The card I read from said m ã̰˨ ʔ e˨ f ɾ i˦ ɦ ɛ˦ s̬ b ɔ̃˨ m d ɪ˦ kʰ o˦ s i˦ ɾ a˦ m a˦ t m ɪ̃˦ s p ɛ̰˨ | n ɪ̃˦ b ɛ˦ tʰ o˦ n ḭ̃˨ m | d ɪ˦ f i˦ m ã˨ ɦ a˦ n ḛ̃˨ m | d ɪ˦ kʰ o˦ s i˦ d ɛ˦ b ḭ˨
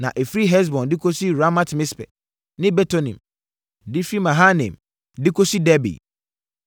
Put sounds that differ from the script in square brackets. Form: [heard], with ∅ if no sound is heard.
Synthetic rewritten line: [n] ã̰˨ ʔ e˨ f ɾ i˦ ɦ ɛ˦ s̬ b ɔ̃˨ [n] d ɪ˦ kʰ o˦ s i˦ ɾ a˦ m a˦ t m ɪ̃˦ s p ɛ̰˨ | n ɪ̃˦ b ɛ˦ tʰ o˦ n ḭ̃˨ m | d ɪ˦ f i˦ m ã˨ ɦ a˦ n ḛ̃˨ m | d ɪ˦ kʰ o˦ s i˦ d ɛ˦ b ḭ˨